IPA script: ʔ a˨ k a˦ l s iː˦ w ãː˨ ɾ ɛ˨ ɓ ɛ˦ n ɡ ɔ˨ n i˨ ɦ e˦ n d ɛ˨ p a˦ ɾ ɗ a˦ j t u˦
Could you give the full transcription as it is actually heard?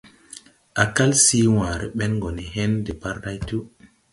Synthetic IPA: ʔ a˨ k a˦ l s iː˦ w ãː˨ ɾ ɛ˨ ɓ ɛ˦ n ɡ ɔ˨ n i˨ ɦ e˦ n d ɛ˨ p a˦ ɾ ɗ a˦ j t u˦